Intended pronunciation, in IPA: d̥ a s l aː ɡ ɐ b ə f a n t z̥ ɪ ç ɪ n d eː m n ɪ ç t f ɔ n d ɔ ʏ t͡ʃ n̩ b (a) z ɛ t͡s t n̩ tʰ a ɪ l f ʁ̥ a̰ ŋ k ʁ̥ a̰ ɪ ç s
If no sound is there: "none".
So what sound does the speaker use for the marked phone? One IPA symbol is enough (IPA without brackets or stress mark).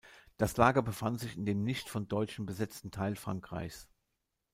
ə